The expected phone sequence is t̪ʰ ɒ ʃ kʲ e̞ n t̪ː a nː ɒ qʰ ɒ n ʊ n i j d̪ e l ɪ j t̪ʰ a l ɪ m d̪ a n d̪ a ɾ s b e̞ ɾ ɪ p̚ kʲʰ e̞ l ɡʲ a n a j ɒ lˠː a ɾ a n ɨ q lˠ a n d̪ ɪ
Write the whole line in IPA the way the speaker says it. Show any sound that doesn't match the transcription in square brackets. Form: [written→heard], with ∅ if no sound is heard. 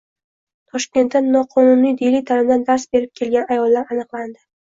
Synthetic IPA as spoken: t̪ʰ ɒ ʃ kʲ e̞ n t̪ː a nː ɒ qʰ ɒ n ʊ n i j d̪ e l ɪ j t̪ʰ a l ɪ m d̪ a n d̪ a ɾ s b e̞ ɾ ɪ p̚ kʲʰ e̞ l ɡʲ a n a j ɒ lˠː a ɾ a n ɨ q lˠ a n d̪ ɪ